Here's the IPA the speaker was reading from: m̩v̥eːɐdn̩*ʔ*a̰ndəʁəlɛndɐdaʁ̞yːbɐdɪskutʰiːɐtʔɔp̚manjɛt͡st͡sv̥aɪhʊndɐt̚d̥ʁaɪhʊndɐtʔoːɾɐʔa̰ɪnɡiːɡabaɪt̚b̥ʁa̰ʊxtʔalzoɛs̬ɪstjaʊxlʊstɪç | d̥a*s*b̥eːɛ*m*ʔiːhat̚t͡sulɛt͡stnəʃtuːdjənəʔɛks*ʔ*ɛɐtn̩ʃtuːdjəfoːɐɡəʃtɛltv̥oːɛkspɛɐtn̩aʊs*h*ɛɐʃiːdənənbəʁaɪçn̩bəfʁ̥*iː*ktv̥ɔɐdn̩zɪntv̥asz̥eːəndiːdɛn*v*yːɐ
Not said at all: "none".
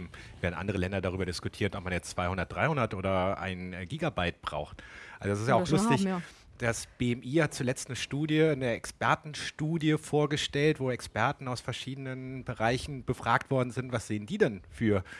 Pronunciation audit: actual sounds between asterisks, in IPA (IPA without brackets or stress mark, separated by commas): ʔ, s, m, p, f, aː, f